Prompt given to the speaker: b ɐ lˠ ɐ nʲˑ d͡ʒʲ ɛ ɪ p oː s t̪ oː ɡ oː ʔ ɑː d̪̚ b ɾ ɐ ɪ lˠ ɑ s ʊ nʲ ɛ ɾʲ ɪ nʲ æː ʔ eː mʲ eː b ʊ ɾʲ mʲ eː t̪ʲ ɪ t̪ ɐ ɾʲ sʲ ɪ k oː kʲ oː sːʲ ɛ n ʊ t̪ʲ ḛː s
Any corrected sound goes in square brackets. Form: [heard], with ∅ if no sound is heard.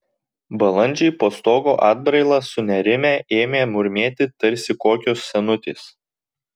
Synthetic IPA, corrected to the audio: b ɐ lˠ ɐ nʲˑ d͡ʒʲ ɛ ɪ p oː s t̪ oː ɡ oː ʔ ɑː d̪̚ b ɾ ɐ ɪ lˠ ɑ s ʊ nʲ ɛ ɾʲ ɪ [mʲ] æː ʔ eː mʲ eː [m] ʊ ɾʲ mʲ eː t̪ʲ ɪ t̪ ɐ ɾʲ sʲ ɪ k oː kʲ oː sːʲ ɛ n ʊ t̪ʲ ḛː s